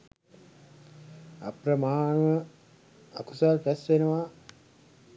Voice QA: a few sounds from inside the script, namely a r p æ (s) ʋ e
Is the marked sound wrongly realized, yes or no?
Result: no